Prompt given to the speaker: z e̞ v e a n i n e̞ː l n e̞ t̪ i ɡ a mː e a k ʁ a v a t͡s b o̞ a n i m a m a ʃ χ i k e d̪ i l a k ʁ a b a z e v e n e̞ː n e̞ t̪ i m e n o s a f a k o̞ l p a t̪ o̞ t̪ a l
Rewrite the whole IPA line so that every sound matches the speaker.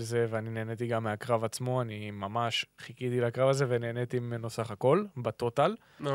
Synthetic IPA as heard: z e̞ v e a n i n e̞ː n e̞ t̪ i ɡ a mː e a k ʁ a v a t͡s m o̞ a n i m a m a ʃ χ i k i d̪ i l a k ʁ a v a z e v e n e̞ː n e̞ t̪ i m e n o s a χ a k o̞ l b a t̪ o̞ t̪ a l